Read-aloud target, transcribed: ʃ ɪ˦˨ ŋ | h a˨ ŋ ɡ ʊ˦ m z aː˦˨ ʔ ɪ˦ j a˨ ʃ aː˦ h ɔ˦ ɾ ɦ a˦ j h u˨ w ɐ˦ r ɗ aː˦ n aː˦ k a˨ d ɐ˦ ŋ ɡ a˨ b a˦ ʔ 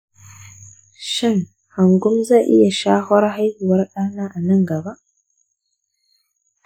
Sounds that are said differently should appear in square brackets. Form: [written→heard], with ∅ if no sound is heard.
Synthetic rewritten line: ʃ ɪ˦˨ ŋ | h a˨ ŋ ɡ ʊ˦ m z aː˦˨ ʔ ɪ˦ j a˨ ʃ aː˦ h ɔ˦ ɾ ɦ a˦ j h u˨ w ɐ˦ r ɗ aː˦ n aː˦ [k→ʔ] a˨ [d→n] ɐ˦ ŋ ɡ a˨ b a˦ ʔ